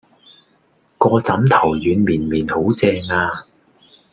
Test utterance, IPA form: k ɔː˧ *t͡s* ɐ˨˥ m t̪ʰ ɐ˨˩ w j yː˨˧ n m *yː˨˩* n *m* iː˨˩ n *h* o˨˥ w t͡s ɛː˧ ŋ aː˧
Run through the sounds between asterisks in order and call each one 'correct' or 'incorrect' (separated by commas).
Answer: correct, incorrect, correct, correct